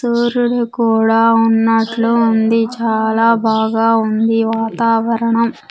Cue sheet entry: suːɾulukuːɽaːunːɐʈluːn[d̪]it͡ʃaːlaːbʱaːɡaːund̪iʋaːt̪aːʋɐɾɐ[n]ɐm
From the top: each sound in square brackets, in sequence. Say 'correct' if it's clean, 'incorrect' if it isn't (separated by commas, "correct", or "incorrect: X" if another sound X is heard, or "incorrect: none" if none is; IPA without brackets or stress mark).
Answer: correct, incorrect: ɳ